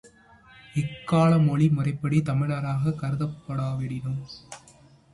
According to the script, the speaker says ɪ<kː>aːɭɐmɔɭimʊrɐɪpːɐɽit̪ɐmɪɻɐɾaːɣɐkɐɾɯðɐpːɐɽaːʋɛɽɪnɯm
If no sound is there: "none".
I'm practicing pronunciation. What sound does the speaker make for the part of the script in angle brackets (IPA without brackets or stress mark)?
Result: kː